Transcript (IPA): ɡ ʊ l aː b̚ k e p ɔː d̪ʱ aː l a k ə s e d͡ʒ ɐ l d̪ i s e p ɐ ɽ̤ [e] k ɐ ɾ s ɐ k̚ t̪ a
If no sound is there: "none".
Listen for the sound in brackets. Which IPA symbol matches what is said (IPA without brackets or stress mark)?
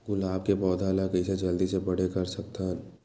e